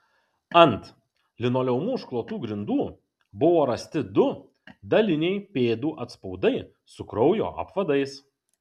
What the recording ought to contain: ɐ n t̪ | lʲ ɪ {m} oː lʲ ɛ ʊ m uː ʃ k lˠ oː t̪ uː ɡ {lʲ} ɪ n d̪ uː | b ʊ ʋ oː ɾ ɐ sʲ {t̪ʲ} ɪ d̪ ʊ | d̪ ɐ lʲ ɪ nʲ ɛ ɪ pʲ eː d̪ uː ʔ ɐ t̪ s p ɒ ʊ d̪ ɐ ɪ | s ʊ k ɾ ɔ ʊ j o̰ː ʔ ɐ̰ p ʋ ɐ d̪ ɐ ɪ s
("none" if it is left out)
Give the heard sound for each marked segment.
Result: n, ɾʲ, t̪ʲ

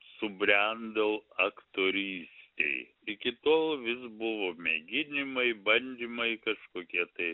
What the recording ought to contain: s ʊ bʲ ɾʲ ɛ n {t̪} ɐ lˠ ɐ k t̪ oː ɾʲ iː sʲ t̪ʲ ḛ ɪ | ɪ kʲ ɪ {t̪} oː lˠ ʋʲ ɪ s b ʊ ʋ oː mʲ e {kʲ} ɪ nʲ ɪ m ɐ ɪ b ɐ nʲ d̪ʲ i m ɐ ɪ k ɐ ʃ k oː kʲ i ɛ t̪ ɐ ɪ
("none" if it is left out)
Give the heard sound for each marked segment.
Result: d̪, t̪, ɡʲ

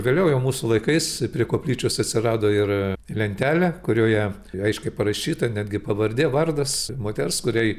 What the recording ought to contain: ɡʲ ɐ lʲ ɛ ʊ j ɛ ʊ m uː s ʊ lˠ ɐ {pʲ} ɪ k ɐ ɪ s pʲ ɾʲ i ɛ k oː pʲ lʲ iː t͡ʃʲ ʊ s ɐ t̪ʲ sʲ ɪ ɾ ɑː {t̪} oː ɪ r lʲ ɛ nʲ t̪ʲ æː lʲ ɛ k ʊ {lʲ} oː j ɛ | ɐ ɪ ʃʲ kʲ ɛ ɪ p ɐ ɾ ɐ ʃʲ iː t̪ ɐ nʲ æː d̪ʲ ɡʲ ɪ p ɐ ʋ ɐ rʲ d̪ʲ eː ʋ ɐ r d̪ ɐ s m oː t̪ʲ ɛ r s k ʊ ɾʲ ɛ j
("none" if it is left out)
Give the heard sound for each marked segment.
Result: none, d̪, ɾʲ

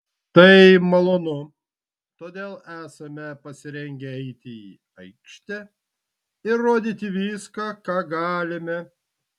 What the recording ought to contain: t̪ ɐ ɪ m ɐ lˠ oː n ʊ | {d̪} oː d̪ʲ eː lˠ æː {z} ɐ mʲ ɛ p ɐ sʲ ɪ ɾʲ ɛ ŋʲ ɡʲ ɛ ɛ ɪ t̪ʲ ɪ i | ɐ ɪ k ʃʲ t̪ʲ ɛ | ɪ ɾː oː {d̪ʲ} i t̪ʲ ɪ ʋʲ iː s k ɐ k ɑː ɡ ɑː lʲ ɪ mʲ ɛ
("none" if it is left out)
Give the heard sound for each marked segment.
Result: t̪, s, d̪ʲ

